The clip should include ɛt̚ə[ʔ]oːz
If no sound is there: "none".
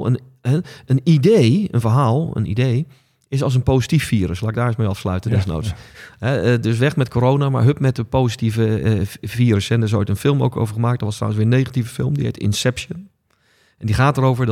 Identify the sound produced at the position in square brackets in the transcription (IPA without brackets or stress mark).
p